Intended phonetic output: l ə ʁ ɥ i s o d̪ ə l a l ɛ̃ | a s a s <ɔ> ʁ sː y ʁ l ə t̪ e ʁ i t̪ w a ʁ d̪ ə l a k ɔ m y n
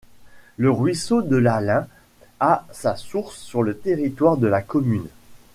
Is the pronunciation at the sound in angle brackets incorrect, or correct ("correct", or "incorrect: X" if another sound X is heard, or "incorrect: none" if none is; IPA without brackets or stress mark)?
incorrect: u